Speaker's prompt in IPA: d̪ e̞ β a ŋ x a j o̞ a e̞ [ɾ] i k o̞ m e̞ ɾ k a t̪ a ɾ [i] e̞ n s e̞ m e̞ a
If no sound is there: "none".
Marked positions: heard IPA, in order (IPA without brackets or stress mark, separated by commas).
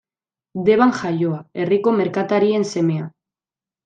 r, i